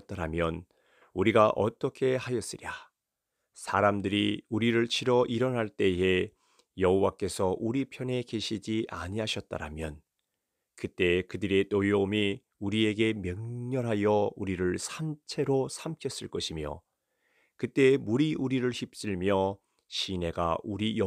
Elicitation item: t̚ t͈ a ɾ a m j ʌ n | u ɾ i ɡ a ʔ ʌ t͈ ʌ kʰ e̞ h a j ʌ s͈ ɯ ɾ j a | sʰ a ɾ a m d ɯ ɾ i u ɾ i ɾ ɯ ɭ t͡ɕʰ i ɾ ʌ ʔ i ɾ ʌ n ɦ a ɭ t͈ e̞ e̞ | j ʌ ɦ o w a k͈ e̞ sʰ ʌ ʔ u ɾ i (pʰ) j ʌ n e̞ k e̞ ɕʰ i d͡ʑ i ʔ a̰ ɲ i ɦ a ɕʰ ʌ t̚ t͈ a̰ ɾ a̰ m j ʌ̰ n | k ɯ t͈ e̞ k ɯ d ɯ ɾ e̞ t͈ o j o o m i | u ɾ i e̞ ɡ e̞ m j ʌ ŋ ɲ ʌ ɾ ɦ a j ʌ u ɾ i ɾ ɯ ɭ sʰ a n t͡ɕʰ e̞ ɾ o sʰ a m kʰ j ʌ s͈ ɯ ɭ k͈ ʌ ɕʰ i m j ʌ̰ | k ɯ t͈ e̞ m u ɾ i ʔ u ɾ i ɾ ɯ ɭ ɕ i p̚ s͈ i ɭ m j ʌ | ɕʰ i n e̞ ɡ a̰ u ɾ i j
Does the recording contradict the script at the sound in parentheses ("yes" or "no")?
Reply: no